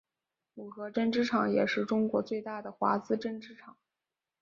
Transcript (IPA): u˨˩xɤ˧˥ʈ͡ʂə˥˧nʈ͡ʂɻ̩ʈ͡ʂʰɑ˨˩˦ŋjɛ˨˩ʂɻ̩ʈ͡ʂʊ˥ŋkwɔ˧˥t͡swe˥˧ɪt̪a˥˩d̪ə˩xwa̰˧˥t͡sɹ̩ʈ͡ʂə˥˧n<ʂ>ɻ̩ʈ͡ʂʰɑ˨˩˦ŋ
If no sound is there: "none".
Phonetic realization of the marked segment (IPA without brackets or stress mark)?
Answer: ʈ͡ʂ